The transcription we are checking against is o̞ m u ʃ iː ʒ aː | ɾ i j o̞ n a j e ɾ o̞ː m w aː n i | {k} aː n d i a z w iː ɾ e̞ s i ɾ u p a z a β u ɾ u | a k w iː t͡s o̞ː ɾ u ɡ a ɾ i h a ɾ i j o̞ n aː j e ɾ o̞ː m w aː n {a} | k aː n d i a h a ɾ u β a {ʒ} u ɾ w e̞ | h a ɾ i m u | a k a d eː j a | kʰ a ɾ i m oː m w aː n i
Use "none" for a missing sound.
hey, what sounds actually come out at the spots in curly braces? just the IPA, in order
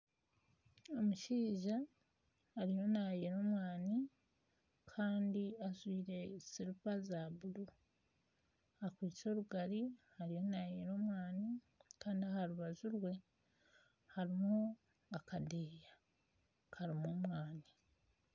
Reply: kʰ, i, z

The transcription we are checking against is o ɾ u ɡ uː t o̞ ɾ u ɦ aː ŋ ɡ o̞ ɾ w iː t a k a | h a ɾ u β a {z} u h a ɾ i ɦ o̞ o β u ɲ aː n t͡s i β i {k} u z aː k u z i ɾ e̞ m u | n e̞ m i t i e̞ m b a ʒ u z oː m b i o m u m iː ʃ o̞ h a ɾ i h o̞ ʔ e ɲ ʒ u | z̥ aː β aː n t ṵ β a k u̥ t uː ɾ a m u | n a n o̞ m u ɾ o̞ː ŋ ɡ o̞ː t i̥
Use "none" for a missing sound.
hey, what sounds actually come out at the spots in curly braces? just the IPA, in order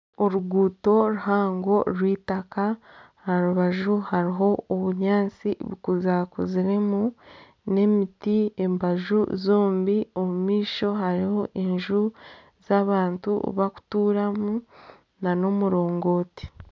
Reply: ʒ, k

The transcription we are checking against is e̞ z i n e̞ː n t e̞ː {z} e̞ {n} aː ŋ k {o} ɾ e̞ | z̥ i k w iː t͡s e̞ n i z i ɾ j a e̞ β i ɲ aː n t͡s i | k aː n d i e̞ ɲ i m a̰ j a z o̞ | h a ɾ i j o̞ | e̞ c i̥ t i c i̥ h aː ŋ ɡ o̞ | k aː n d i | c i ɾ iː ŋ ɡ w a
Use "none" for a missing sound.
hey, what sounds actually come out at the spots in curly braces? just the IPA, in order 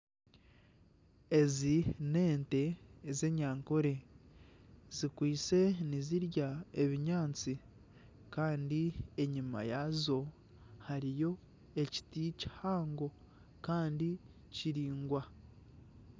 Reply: z, ɲ, o

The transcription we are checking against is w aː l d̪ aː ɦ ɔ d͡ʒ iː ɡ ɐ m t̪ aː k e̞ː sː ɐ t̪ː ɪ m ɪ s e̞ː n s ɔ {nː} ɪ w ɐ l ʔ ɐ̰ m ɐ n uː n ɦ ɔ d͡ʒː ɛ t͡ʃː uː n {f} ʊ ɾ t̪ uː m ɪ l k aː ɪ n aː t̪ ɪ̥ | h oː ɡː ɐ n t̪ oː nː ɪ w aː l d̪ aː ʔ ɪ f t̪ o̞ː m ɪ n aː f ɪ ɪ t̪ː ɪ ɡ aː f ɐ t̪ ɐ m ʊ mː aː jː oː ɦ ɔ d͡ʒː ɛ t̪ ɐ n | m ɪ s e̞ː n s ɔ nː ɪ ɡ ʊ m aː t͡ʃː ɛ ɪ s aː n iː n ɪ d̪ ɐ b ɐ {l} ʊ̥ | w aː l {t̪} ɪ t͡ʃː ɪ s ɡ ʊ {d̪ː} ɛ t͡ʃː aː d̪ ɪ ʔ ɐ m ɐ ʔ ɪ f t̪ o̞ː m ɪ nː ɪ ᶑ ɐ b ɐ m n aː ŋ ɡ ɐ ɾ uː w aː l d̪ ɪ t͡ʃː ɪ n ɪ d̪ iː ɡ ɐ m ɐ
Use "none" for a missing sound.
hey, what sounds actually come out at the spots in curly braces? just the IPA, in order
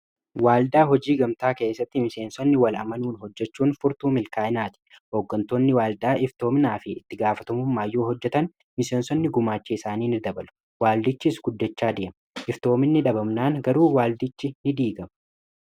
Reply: nː, f, l, d̪, d̪ː

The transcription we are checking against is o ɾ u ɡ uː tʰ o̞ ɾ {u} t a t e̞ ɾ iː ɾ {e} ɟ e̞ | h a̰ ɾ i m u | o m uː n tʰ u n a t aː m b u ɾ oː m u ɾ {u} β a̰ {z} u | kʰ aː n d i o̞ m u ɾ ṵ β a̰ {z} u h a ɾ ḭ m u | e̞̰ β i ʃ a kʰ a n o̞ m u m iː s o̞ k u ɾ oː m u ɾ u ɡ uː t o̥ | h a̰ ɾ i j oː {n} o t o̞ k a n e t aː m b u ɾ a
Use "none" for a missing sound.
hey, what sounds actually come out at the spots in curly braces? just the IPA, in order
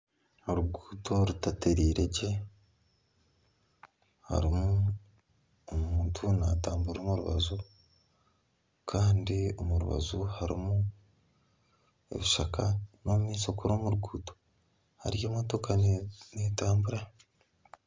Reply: u, e, u, z, z, m

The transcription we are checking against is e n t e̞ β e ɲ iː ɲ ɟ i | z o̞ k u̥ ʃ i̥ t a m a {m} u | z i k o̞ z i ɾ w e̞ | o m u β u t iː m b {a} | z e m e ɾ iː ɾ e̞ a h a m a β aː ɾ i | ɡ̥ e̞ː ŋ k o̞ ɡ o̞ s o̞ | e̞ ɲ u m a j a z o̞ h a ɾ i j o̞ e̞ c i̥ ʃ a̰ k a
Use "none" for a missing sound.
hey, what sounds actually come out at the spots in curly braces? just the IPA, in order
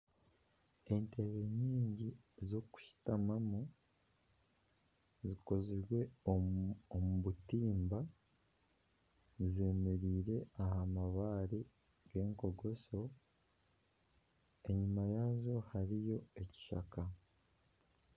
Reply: m, a

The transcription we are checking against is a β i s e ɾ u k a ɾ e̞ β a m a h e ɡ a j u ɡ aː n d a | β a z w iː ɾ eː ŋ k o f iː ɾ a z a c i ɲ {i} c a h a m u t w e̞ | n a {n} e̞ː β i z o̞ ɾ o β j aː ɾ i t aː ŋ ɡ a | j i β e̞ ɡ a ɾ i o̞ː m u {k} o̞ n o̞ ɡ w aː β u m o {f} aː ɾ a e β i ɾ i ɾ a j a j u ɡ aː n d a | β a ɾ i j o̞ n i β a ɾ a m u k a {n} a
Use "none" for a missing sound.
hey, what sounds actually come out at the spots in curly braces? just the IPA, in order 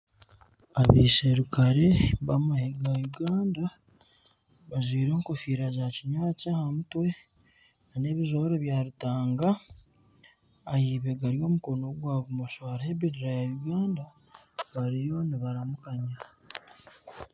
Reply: a, n, k, ʃ, ɲ

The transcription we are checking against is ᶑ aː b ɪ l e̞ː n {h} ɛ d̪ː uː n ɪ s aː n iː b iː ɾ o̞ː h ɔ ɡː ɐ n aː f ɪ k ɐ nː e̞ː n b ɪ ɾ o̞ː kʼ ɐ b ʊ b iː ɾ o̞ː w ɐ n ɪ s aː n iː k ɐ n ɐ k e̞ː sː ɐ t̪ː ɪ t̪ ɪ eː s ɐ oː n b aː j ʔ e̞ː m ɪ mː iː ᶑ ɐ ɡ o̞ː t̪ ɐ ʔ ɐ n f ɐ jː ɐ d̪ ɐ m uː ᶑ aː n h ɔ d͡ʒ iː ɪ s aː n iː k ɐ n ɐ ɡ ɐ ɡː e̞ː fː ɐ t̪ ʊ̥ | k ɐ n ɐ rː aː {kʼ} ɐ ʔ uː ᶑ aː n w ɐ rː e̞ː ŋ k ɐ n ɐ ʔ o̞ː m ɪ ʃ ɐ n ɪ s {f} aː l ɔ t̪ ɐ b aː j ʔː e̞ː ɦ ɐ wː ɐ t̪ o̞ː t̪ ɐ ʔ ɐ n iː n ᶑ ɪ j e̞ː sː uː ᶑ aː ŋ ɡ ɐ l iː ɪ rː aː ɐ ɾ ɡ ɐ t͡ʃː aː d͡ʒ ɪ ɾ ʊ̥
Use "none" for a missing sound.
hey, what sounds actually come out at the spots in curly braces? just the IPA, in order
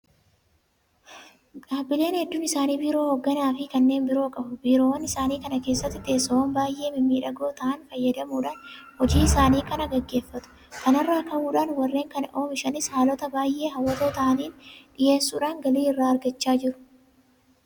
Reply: h, k, h

